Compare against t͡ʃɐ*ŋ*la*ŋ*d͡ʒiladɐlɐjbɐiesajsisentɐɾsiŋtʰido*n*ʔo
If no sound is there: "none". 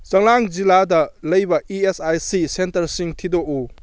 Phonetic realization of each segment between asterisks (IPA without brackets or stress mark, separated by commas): ŋ, ŋ, none